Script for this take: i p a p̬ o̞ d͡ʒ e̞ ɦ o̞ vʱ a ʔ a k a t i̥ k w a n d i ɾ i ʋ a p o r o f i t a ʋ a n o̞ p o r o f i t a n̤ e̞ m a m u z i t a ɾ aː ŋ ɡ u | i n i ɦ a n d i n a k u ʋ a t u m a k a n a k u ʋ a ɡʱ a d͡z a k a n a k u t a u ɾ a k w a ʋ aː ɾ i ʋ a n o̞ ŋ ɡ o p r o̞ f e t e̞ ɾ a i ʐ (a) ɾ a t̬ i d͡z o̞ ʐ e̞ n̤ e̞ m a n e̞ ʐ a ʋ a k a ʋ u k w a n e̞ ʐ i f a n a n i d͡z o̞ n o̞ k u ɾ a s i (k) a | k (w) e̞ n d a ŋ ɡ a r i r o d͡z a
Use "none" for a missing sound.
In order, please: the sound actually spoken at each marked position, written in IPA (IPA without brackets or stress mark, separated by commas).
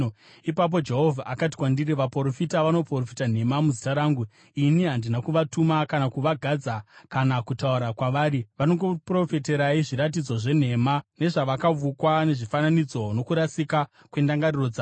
i, k, w